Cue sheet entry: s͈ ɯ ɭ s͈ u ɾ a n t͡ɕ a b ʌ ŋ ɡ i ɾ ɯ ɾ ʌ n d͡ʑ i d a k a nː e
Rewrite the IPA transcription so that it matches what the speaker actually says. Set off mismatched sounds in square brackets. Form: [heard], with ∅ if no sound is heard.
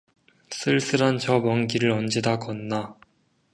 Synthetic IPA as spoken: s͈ ɯ ɭ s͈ [ɯ] ɾ a n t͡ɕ [ʌ] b ʌ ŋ ɡ i ɾ ɯ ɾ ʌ n d͡ʑ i d a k [ʌ] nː [a]